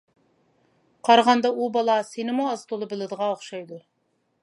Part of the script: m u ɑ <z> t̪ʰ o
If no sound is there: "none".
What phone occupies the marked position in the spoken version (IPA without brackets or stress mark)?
z